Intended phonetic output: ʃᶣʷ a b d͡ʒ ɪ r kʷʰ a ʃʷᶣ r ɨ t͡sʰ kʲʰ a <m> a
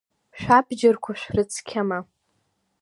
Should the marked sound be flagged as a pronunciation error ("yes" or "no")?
no